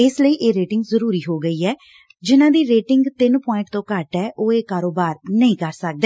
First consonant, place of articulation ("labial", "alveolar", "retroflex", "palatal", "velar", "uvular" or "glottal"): alveolar